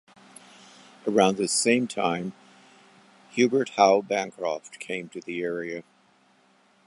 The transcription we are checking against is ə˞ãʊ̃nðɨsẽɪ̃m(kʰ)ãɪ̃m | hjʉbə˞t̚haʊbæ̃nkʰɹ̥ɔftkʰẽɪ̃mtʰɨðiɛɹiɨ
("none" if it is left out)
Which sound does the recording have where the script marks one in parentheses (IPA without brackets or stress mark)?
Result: tʰ